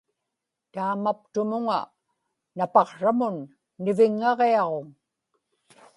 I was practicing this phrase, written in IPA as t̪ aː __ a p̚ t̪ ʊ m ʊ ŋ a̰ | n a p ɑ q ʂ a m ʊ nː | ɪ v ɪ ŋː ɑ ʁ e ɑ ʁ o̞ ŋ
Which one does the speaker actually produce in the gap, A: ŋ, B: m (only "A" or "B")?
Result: B